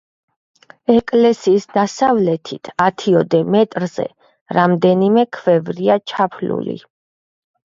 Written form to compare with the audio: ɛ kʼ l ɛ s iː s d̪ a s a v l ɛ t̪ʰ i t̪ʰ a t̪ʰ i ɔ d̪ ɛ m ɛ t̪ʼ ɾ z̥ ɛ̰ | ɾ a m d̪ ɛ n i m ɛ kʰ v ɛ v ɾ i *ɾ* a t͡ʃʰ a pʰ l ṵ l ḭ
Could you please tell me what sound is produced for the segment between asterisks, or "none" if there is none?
none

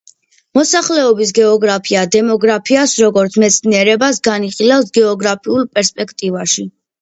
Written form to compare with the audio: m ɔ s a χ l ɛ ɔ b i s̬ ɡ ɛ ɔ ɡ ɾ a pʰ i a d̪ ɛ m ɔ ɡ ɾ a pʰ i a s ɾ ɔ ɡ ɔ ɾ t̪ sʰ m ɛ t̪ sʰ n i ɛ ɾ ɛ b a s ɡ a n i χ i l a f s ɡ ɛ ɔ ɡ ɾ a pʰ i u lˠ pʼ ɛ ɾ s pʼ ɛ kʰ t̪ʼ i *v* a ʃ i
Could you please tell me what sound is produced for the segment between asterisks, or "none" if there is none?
v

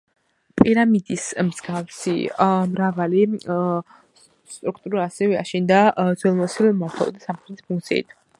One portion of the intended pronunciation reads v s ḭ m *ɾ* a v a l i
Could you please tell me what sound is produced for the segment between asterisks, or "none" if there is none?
ɾ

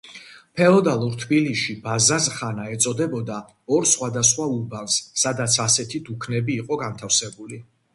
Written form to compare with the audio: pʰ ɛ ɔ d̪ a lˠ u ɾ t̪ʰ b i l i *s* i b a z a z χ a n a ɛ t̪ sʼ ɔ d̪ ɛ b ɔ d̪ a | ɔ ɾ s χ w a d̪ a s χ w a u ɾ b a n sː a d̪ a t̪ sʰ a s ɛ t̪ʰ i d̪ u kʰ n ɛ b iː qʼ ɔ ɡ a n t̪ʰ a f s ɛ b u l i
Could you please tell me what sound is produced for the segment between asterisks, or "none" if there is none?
ʃ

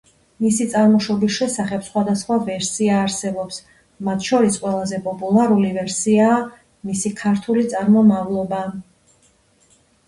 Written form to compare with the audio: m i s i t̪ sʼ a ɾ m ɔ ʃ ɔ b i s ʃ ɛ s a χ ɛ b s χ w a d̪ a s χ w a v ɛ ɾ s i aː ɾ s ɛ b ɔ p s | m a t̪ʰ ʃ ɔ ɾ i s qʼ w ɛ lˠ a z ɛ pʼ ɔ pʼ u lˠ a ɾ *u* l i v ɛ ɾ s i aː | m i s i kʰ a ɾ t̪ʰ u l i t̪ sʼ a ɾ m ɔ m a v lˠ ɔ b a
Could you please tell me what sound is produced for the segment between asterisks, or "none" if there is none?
u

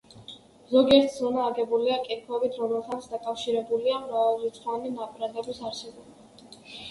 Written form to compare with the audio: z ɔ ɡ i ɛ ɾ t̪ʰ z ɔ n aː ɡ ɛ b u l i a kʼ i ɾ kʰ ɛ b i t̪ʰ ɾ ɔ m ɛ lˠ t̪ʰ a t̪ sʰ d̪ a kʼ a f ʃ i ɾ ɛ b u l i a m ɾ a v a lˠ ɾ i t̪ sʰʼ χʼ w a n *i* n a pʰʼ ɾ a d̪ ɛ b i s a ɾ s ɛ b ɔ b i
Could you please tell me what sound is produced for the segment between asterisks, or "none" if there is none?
i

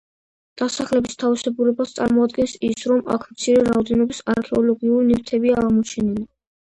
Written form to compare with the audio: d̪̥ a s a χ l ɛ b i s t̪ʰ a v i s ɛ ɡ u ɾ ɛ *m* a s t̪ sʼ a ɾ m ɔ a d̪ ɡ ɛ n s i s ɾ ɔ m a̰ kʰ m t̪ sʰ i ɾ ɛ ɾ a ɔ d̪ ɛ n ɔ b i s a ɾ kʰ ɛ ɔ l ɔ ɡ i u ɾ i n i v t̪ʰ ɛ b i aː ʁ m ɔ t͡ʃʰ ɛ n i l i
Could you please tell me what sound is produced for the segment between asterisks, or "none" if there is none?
b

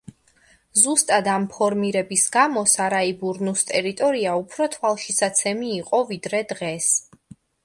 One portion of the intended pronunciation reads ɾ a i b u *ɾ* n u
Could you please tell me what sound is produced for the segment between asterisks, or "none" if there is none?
ɾ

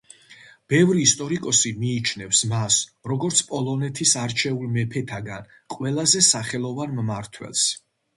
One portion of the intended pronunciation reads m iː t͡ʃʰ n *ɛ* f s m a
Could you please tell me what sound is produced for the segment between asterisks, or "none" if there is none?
ɛ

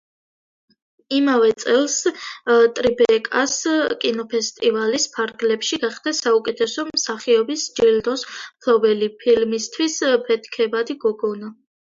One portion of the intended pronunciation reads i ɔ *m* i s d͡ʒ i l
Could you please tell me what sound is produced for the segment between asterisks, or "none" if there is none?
b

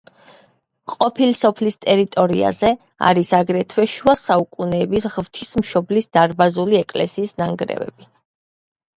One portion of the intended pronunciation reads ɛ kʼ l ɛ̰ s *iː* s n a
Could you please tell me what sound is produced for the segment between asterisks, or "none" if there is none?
iː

